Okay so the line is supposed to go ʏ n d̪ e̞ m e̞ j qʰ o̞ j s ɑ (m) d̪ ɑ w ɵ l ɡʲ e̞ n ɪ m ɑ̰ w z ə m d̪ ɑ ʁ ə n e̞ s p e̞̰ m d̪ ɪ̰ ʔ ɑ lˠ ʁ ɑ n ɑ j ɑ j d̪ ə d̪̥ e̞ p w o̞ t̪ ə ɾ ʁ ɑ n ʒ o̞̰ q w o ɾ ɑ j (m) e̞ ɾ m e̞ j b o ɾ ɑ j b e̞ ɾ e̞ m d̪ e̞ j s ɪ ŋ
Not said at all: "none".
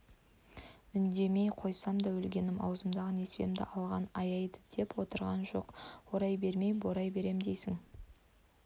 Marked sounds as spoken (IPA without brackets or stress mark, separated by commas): m, b